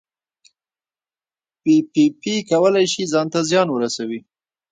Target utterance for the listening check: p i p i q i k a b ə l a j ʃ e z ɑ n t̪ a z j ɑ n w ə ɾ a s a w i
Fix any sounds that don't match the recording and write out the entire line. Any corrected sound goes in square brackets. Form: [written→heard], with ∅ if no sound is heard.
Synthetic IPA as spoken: p i p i [q→p] i k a [b→w] ə l a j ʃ [e→i] z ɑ n t̪ a z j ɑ n w ə ɾ a s a w i